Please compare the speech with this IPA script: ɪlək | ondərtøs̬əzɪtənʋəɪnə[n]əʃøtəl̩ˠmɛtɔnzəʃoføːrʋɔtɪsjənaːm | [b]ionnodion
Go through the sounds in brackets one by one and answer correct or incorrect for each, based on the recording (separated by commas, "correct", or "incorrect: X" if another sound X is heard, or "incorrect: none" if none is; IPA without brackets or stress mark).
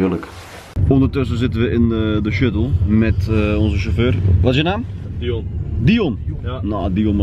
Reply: incorrect: d, incorrect: d